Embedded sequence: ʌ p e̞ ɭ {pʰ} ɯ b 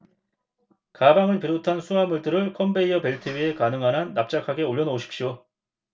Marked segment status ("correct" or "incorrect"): incorrect